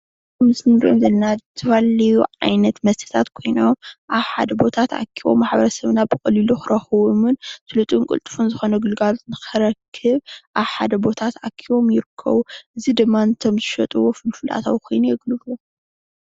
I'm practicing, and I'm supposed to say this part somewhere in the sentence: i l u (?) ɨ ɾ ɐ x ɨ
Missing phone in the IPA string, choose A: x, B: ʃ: A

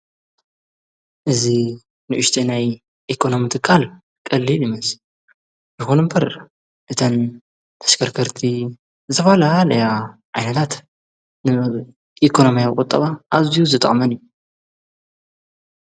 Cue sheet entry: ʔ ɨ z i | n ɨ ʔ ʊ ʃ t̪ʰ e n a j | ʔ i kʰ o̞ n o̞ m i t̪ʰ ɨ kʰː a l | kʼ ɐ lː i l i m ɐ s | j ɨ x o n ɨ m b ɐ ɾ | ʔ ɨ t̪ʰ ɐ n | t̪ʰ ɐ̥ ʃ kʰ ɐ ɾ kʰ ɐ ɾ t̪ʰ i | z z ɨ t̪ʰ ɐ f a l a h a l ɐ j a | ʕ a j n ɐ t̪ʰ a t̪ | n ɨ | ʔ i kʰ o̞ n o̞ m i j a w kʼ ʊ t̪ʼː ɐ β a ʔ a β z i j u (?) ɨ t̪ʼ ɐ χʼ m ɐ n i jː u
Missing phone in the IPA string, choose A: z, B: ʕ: A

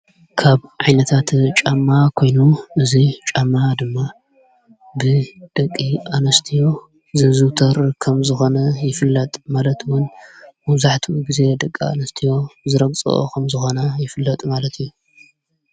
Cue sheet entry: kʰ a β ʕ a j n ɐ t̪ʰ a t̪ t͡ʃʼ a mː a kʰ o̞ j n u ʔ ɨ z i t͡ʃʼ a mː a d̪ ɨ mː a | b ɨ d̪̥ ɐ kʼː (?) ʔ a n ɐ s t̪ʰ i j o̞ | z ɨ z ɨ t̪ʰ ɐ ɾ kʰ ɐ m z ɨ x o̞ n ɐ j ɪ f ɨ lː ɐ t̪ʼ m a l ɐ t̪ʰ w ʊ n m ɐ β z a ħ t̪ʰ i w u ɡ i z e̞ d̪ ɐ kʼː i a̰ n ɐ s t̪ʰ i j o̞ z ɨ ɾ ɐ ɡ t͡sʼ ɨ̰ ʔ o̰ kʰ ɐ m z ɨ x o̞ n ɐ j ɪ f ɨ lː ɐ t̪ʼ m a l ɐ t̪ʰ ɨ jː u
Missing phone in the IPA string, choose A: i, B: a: A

